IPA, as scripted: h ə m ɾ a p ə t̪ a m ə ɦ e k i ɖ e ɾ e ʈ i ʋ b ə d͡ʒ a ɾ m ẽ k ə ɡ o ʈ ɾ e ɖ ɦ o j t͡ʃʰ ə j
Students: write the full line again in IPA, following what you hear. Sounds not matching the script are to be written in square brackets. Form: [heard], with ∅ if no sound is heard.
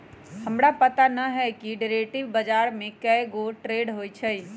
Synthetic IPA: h ə m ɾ a p ə t̪ a [n] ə ɦ [ɛ] k i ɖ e ɾ e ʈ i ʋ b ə d͡ʒ a ɾ m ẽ k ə ɡ o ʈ ɾ e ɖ ɦ o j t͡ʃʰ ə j